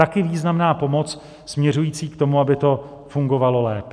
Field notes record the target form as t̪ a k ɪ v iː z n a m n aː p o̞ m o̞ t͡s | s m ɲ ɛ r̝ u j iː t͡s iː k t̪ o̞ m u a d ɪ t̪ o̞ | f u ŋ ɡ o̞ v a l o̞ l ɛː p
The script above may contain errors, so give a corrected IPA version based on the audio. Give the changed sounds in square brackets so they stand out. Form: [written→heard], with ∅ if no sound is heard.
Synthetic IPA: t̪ a k ɪ v iː z n a m n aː p o̞ m o̞ t͡s | s m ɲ ɛ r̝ u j iː t͡s iː k t̪ o̞ m u a [d→b] ɪ t̪ o̞ | f u ŋ ɡ o̞ v a l o̞ l ɛː p